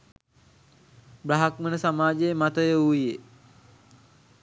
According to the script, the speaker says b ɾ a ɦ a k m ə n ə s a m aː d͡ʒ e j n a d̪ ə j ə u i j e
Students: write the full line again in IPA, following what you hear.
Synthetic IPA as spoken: b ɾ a ɦ a k m ə n ə s a m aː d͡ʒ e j m a t̪ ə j ə u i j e